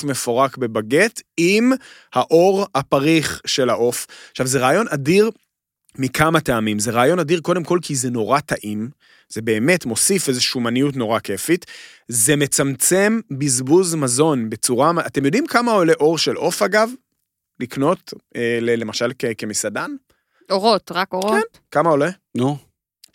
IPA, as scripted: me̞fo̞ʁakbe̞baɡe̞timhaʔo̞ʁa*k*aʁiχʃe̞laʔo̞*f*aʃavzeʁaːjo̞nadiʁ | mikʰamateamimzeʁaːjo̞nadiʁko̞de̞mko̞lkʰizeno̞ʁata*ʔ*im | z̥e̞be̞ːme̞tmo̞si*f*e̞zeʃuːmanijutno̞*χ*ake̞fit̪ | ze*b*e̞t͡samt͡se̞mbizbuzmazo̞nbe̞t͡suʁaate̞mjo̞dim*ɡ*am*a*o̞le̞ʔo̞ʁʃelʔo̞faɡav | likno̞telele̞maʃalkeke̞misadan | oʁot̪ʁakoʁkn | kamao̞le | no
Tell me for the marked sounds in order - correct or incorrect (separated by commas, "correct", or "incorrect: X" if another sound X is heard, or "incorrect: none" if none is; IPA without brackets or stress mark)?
incorrect: p, correct, correct, correct, incorrect: ʁ, incorrect: m, incorrect: k, correct